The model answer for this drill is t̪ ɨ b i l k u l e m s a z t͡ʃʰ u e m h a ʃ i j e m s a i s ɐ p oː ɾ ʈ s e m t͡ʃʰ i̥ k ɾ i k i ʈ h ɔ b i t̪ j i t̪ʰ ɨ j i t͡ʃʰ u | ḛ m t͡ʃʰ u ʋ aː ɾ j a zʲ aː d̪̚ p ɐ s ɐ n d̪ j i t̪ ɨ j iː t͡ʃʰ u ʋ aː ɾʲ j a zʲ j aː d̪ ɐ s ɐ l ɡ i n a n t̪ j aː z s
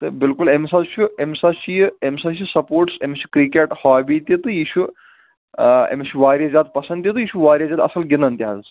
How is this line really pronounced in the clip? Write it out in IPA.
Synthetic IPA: t̪ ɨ b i l k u l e m s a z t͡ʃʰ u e m s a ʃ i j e m s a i s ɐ p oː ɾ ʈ s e m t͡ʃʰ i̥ k ɾ i k e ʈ h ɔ b i t̪ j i t̪ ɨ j i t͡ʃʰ u | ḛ m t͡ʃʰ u ʋ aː ɾ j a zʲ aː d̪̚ p ɐ s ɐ n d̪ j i t̪ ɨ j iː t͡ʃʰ u ʋ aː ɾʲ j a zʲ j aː d̪ ɐ s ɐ l ɡ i n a n t̪ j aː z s